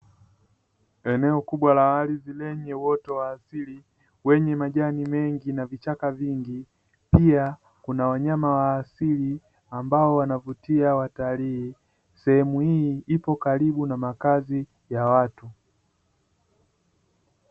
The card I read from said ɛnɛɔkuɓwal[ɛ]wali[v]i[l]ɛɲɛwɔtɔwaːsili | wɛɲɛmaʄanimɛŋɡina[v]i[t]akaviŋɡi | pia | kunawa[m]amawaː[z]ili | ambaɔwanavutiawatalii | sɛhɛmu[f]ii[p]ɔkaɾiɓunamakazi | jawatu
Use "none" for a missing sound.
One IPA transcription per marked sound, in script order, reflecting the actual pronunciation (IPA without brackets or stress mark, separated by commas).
a, z, l, v, t͡ʃ, ɲ, s, h, p